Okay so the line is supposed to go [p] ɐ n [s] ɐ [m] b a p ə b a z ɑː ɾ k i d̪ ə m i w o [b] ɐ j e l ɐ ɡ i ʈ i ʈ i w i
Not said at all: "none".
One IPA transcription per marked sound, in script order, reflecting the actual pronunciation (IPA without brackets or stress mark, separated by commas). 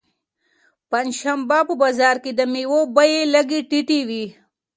p, ʃ, m, b